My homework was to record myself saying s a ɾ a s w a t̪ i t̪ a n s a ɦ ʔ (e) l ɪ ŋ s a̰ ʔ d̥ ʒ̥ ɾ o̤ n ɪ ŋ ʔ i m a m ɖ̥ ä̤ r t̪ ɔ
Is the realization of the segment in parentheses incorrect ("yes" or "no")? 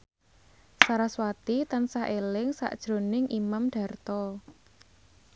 no